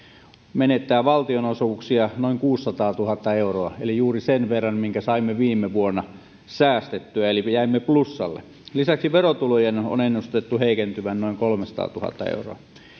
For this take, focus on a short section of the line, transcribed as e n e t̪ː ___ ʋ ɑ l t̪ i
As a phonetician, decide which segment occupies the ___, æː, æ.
æː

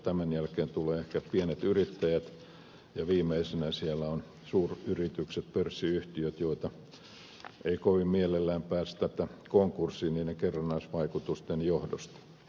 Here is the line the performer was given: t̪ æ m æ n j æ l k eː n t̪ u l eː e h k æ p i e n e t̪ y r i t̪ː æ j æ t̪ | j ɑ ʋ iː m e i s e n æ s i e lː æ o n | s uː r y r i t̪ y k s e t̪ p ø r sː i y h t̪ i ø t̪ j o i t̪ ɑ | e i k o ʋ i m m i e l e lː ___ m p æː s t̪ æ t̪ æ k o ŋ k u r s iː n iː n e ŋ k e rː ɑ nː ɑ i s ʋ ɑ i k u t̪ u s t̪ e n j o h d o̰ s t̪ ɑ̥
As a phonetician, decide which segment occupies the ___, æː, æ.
æː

